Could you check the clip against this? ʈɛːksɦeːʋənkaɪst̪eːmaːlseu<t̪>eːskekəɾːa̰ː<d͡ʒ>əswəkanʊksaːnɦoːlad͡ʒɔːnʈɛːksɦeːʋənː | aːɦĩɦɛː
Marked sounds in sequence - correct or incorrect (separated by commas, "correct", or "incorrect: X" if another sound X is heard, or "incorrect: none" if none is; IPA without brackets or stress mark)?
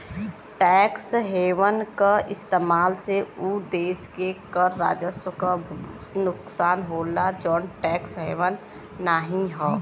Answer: incorrect: d̪, correct